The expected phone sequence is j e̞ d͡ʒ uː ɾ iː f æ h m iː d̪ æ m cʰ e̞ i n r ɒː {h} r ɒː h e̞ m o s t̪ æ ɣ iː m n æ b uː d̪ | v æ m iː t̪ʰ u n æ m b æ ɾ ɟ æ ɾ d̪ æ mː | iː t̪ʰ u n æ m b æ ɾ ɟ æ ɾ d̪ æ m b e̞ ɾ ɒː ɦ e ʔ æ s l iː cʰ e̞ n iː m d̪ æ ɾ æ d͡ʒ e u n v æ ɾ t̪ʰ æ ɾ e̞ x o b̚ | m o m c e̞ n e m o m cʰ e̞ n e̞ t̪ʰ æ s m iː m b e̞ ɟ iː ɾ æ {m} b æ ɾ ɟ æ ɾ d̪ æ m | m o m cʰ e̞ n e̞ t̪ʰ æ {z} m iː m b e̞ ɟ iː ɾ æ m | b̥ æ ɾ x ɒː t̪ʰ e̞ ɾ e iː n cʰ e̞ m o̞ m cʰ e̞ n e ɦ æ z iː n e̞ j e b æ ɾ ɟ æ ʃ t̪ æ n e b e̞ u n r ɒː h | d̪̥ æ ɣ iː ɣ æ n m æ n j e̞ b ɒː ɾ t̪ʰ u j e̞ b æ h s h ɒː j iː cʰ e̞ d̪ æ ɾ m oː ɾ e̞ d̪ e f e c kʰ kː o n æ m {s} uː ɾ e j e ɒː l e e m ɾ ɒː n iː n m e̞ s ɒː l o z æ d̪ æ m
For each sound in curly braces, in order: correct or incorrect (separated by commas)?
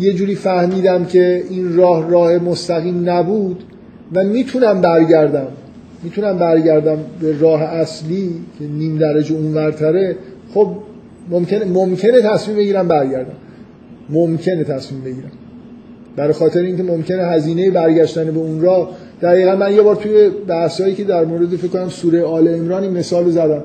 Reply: correct, correct, incorrect, correct